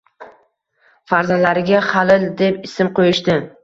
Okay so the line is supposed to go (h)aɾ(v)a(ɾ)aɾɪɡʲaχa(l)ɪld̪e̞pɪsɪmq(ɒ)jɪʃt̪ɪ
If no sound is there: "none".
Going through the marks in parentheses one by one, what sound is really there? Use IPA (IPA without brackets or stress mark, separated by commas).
f, z, l, l, o